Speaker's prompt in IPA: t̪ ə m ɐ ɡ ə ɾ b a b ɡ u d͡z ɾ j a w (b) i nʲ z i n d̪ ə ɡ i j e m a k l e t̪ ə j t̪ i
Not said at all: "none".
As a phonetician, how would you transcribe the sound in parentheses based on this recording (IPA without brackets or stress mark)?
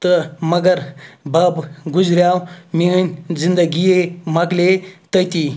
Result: m